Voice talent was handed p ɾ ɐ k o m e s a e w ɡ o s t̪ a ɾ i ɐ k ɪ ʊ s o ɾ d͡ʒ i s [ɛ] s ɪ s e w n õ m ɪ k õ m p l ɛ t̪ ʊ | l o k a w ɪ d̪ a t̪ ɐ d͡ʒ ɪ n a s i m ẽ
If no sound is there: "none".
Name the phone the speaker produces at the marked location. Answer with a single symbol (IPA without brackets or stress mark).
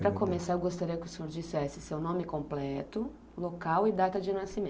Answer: ɛ